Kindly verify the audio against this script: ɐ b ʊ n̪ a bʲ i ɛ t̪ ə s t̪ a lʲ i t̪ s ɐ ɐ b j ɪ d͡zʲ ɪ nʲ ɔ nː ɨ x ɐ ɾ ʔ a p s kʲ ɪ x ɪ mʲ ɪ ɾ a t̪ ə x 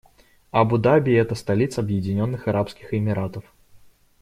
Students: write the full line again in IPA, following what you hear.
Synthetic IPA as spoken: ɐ b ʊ d̪ a bʲ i ɛ t̪ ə s t̪ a lʲ i t̪ s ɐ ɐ b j ɪ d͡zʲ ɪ nʲ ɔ nː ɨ x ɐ ɾ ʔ a p s kʲ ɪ x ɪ mʲ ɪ ɾ a t̪ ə f